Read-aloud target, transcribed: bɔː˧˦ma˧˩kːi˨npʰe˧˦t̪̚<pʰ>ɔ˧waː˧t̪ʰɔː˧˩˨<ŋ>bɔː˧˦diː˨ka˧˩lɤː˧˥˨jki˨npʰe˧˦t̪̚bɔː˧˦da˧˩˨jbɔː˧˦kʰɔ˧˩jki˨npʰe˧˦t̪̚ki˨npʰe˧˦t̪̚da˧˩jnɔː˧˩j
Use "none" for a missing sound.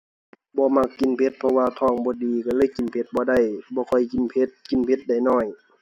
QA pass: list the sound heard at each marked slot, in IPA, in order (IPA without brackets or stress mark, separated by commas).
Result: pʰ, ŋ